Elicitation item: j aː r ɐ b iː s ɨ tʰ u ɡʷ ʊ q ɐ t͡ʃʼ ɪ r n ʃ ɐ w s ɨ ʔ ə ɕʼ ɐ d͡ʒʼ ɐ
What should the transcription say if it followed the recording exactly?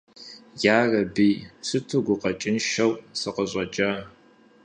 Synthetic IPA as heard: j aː r ɐ b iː s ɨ tʰ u ɡʷ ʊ q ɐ t͡ʃʼ ɪ n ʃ ɐ w s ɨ q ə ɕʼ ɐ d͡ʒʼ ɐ